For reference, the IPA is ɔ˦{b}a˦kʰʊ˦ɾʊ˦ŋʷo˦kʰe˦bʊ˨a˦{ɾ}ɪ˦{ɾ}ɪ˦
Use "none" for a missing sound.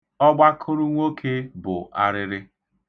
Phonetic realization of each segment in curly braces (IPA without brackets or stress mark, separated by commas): ɡ͡b, ɾ, ɾ